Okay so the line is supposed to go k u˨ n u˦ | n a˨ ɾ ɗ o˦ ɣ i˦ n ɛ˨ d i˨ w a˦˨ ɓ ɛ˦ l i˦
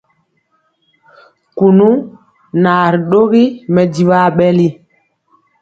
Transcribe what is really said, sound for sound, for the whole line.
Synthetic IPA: k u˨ n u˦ | n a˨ ɾ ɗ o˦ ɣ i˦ m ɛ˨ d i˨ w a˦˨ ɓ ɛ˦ l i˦